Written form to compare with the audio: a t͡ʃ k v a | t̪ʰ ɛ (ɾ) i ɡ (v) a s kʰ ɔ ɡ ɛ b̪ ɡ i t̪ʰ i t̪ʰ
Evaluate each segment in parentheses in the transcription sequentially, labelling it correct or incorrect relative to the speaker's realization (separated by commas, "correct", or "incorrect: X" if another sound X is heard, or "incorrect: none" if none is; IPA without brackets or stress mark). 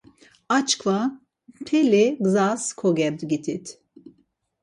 incorrect: l, incorrect: z